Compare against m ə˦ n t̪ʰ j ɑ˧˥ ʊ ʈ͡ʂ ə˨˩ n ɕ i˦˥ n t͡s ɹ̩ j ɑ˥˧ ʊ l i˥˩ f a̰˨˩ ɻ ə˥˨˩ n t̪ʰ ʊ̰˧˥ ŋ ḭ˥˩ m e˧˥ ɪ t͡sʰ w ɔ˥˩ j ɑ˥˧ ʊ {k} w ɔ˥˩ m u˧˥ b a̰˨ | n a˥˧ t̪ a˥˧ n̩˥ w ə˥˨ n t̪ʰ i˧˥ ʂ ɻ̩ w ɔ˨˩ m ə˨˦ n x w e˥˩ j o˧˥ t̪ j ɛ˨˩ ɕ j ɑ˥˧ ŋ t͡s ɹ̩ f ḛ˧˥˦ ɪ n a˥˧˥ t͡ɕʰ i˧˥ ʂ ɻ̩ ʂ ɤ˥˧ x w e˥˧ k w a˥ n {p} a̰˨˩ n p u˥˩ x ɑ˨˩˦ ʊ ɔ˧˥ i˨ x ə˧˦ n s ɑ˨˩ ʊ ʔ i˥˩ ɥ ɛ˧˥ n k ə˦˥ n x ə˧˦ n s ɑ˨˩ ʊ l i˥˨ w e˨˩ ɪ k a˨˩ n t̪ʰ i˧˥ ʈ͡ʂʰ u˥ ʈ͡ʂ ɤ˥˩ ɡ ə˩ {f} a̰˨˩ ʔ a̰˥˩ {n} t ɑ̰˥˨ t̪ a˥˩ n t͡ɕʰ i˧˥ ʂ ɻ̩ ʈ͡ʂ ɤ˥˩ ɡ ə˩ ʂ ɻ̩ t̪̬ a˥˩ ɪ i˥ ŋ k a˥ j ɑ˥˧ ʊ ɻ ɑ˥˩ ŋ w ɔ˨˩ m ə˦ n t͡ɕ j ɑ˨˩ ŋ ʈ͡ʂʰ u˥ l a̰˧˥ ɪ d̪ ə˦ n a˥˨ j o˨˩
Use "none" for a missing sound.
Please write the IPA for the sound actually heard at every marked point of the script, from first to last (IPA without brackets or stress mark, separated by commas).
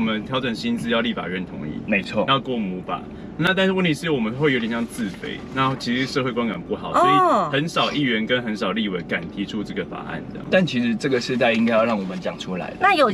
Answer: k, k, f, n